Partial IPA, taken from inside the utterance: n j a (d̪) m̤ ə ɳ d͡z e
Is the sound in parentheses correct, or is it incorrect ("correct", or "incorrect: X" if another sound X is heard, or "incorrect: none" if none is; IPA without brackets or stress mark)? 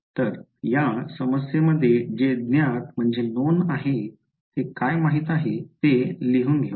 incorrect: t̪